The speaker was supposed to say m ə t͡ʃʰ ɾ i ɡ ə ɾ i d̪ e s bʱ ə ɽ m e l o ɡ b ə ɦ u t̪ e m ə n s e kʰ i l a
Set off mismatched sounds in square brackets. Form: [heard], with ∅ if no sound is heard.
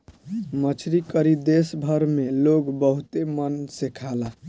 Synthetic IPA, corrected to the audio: m ə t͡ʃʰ ɾ i [k] ə ɾ i d̪ e s bʱ ə [ɾ] m e l o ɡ b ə ɦ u t̪ e m ə n s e kʰ [a] l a

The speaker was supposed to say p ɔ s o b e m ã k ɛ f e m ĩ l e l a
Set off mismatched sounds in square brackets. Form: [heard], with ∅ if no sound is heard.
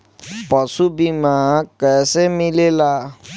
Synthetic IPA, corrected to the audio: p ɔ s [u] b [i] m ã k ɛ [s] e m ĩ l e l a

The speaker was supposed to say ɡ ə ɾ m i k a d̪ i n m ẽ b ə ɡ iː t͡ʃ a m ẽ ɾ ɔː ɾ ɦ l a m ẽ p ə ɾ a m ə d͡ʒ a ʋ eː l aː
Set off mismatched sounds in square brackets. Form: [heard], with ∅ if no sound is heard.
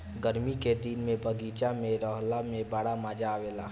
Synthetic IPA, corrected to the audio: ɡ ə ɾ m i k [e] d̪ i n m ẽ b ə ɡ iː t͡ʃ a m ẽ ɾ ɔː [∅] ɦ l a m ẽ [b] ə [ɽ] a m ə d͡ʒ a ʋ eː l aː

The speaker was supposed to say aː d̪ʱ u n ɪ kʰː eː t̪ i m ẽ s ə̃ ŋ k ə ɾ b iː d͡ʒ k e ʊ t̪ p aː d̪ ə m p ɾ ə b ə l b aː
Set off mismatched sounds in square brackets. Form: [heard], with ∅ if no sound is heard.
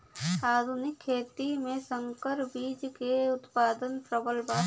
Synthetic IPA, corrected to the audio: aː d̪ʱ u n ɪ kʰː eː t̪ i m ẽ s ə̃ ŋ k ə ɾ b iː d͡ʒ k e ʊ t̪ p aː d̪ ə [n] p ɾ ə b ə l b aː

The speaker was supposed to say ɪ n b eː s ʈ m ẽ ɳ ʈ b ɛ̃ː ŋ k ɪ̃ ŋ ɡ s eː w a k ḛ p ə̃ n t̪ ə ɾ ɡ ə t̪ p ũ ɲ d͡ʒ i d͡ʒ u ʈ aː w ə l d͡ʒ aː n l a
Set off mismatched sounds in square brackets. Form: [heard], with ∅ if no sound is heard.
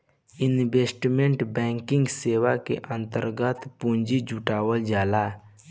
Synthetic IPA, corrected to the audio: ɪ n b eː s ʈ m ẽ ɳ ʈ b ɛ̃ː ŋ k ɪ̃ ŋ ɡ s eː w a k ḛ [ʔ] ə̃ n t̪ ə ɾ ɡ ə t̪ p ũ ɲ d͡ʒ i d͡ʒ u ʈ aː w ə l d͡ʒ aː [∅] l a

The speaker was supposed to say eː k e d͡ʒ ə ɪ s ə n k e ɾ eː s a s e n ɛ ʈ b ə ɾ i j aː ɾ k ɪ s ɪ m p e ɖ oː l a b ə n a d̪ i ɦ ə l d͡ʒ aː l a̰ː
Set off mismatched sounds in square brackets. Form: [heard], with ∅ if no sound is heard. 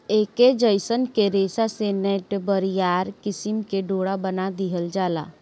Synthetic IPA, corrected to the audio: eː k e d͡ʒ ə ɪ s ə n k e ɾ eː s a s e n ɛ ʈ b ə ɾ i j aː ɾ k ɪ s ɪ m [k] e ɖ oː [ɽ] a b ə n a d̪ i ɦ ə l d͡ʒ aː l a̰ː

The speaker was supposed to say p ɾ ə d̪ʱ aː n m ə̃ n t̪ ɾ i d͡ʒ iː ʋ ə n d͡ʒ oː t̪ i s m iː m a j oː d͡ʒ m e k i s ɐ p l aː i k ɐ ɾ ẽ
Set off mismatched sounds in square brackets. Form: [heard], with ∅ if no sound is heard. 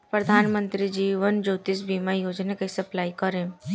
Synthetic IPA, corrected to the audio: p ɾ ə d̪ʱ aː n m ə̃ n t̪ ɾ i d͡ʒ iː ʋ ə n d͡ʒ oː t̪ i s [b] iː m a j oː d͡ʒ [n] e k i s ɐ p l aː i k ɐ ɾ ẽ

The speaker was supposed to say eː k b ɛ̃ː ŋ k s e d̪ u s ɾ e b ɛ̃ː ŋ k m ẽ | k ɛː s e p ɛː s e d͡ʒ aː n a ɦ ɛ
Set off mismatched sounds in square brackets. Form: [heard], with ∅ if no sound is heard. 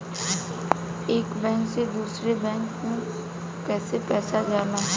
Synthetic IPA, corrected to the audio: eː k b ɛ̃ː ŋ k s e d̪ [uː] s ɾ e b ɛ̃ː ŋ k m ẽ | k ɛː s e p ɛː s [a] d͡ʒ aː n a ɦ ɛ

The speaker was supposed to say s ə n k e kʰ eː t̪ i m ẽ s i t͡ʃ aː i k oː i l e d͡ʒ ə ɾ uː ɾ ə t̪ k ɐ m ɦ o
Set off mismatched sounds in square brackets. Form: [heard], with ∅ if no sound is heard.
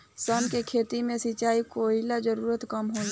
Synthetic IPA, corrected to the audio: s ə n k e kʰ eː t̪ i m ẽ s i t͡ʃ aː i k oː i l [a] d͡ʒ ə ɾ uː ɾ ə t̪ k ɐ m ɦ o

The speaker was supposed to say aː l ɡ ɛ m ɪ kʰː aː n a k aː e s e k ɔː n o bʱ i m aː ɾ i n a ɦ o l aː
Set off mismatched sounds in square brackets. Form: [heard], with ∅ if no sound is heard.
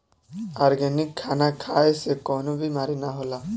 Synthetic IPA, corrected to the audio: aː [ɾ] ɡ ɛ [n] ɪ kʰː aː n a [kʰ] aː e s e k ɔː n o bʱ i m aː ɾ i n a ɦ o l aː

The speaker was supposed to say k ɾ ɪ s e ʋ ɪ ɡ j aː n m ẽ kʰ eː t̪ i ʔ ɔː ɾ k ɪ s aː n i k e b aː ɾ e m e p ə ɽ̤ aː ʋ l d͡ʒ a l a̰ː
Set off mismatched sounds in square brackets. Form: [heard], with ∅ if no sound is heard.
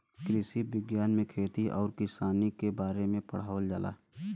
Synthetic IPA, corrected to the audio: k ɾ ɪ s [i] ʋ ɪ ɡ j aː n m ẽ kʰ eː t̪ i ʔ ɔː ɾ k ɪ s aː n i k e b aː ɾ e m [ẽ] p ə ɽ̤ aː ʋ l d͡ʒ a l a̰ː

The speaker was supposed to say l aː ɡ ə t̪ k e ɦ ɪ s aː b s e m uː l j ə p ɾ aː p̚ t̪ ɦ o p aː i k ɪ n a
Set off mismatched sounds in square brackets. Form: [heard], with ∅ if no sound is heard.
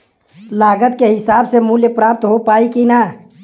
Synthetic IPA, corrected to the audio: l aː ɡ ə t̪ k e ɦ ɪ s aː b s e m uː l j ə p ɾ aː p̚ t̪ ɦ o p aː i k [i] n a

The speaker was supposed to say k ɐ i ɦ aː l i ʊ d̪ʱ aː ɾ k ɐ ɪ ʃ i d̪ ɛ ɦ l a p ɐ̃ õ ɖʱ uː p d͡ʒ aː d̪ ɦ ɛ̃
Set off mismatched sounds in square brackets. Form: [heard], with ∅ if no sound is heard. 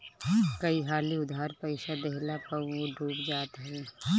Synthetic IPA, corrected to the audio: k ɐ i ɦ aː l i ʊ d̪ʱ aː ɾ [p] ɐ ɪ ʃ [a] d̪ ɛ ɦ l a p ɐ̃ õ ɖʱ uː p d͡ʒ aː [t̪] ɦ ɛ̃

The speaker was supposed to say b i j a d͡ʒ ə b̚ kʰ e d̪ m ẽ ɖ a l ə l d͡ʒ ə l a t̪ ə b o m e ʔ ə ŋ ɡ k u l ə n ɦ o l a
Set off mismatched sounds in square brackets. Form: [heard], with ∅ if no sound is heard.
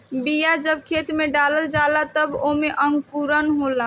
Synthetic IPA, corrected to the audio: b i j a d͡ʒ ə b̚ kʰ e [t̪] m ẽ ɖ a l ə l d͡ʒ [a] l a t̪ ə b o m e ʔ ə ŋ ɡ k u [ɾ] ə n ɦ o l a

